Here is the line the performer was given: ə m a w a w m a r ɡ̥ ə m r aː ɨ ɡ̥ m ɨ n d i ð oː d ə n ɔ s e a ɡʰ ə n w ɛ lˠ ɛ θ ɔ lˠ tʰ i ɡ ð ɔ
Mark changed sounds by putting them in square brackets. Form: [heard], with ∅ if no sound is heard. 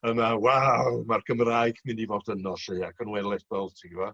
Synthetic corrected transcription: ə m a w a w m a r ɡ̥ ə m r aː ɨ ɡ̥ m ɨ n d i [v] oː d ə n ɔ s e a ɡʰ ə n w ɛ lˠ ɛ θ ɔ lˠ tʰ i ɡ [v] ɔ